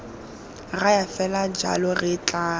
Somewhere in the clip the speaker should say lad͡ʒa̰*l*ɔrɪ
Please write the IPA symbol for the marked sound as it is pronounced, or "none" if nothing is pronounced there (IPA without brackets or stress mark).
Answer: l